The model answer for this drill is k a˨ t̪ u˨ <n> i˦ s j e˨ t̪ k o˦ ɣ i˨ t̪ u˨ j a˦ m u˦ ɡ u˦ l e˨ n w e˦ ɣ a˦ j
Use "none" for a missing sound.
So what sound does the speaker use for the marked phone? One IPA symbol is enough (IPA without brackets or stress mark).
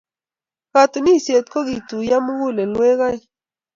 n